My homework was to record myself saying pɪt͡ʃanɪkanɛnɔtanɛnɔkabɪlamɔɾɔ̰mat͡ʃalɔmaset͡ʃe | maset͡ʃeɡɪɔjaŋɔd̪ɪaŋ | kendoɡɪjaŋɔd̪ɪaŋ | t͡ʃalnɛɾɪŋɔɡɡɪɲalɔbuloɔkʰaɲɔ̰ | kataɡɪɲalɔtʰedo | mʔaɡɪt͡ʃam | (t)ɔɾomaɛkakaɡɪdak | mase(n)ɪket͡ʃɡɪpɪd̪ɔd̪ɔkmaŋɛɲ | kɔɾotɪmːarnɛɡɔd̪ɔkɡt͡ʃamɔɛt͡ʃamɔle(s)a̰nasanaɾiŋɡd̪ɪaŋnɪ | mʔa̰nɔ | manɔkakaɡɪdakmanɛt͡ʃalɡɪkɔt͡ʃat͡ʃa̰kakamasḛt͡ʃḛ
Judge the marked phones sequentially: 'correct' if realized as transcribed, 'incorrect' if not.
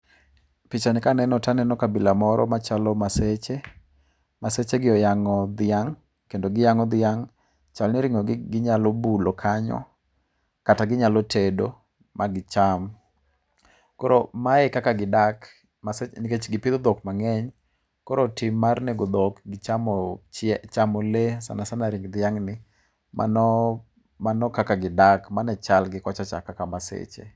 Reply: incorrect, correct, correct

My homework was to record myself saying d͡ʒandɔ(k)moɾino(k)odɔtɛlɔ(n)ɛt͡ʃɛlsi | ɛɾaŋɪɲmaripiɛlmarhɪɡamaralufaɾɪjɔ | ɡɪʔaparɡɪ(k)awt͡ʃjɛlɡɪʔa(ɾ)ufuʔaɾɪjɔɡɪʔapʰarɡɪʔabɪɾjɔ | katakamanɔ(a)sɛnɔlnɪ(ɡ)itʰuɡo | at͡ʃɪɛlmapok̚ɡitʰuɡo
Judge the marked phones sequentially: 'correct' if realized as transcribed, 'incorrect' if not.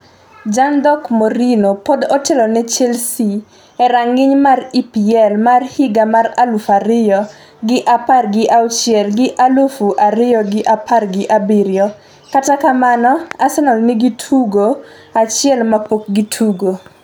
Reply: correct, incorrect, correct, incorrect, incorrect, correct, correct

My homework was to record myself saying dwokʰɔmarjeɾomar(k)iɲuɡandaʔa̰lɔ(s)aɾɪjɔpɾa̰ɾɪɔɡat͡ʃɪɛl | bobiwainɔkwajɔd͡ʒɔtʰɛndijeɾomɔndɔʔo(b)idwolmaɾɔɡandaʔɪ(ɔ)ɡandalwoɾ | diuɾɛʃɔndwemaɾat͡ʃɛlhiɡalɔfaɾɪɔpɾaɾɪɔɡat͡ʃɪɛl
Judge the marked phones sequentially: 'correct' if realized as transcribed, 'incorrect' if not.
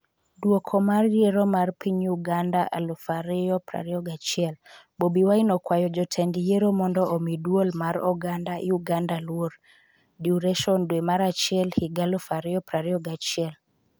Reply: incorrect, incorrect, incorrect, incorrect

